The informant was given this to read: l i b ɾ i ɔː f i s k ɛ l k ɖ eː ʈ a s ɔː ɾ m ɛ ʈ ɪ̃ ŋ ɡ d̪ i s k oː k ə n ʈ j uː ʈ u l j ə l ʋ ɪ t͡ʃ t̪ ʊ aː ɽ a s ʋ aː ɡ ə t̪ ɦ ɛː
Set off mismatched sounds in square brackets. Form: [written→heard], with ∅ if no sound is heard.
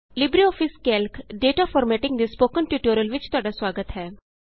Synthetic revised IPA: l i b ɾ i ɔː f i s k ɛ l k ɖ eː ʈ a [s→f] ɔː ɾ m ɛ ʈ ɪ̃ ŋ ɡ d̪ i s [k→p] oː k ə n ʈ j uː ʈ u [l→ɾ] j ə l ʋ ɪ t͡ʃ t̪ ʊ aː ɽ a s ʋ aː ɡ ə t̪ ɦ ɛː

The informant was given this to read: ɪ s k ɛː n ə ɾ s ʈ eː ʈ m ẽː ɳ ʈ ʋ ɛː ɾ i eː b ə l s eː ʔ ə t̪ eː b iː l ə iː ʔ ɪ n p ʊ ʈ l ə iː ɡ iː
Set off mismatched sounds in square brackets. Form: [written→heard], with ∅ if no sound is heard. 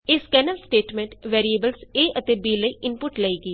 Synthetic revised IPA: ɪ s k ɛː n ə [ɾ→l] s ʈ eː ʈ m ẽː ɳ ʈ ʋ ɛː ɾ i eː b ə l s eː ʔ ə t̪ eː b iː l ə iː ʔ ɪ n p ʊ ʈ l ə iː ɡ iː

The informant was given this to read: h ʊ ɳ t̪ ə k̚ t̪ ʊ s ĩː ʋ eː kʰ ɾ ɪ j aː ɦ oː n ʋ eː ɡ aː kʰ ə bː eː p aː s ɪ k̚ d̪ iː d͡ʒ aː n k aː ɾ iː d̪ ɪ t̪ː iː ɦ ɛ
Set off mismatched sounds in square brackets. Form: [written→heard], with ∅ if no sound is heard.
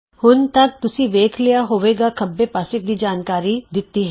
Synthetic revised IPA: h ʊ [ɳ→n] t̪ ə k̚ t̪ ʊ s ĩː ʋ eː kʰ [ɾ→l] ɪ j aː ɦ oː [n→∅] ʋ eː ɡ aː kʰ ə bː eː p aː s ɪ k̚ d̪ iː d͡ʒ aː n k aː ɾ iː d̪ ɪ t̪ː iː ɦ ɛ

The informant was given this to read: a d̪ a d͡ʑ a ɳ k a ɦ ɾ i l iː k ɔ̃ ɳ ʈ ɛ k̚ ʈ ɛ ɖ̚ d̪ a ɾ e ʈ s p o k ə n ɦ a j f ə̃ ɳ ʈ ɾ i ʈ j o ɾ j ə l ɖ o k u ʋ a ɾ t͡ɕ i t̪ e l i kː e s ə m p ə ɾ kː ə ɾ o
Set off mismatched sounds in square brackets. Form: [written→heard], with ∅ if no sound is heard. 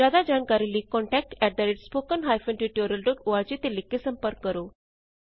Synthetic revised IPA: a d̪ a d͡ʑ a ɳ k a [ɦ→∅] ɾ i l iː k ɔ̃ ɳ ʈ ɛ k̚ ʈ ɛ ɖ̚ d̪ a ɾ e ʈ s p o k ə n ɦ a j f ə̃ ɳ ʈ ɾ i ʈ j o ɾ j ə l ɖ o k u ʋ a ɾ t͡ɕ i t̪ e l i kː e s ə m p ə ɾ kː ə ɾ o

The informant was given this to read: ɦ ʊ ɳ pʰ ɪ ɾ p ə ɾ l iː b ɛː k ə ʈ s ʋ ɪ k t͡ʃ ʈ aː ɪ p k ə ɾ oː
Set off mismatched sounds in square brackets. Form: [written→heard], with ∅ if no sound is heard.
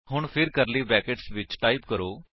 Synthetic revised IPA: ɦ ʊ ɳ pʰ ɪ ɾ [p→k] ə ɾ l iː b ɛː k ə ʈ s ʋ ɪ [k→∅] t͡ʃ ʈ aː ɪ p k ə ɾ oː

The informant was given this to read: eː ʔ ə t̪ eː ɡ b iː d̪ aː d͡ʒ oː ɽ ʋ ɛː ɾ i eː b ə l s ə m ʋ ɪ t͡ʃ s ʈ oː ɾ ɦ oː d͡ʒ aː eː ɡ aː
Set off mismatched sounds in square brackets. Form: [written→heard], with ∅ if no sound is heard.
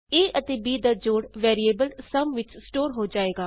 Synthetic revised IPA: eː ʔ ə t̪ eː [ɡ→∅] b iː d̪ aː d͡ʒ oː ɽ ʋ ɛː ɾ i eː b ə l s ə m ʋ ɪ t͡ʃ s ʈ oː ɾ ɦ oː d͡ʒ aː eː ɡ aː

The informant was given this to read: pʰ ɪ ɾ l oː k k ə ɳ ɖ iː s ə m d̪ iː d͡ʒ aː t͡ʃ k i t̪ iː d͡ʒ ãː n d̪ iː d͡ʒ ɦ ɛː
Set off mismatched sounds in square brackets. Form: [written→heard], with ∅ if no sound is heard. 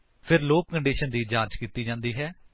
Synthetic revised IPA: pʰ ɪ ɾ l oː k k ə ɳ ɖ iː [s→ʃ] ə [m→n] d̪ iː d͡ʒ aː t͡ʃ k [i→iː] t̪ iː d͡ʒ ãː n d̪ iː [d͡ʒ→∅] ɦ ɛː

